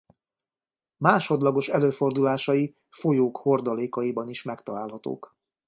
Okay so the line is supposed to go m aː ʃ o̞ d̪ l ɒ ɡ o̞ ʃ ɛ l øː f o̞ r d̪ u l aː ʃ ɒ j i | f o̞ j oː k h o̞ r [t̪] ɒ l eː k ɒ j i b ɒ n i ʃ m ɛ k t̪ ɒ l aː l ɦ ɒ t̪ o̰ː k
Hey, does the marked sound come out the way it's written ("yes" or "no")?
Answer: no